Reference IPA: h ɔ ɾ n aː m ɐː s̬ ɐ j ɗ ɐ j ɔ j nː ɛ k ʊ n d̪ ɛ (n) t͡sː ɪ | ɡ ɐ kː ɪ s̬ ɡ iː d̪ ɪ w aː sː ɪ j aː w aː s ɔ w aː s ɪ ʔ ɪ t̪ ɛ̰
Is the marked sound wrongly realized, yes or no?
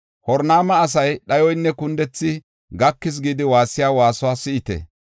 yes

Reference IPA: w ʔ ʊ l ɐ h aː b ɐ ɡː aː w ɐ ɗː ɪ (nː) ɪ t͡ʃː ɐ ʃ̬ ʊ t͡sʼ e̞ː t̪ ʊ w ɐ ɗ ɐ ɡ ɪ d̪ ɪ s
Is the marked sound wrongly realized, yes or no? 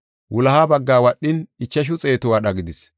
yes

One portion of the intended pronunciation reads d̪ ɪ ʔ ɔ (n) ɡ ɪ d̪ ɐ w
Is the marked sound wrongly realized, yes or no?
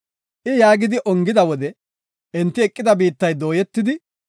yes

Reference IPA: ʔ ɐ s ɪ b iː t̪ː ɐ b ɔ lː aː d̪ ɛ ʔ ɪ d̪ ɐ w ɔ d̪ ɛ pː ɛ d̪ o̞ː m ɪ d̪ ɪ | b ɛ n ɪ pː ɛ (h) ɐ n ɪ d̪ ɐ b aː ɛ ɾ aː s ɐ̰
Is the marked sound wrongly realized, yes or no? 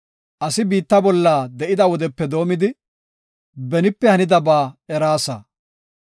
no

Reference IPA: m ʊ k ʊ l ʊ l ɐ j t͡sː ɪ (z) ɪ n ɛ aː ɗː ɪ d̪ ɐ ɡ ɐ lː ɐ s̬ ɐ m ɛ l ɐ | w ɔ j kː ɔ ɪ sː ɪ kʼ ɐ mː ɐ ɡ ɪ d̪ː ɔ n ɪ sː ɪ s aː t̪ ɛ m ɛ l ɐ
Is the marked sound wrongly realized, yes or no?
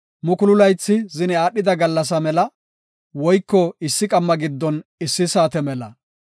no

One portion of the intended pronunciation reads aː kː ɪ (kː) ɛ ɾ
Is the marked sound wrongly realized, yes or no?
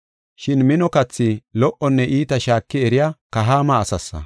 yes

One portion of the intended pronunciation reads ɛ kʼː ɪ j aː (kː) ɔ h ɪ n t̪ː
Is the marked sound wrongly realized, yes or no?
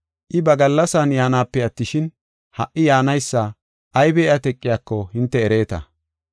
no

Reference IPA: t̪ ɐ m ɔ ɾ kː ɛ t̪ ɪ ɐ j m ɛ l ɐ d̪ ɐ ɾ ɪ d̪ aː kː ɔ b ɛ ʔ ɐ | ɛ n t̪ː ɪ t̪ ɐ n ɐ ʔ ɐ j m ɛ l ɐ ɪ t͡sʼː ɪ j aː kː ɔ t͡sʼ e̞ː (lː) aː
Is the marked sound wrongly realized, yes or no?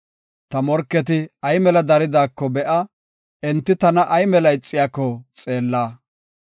no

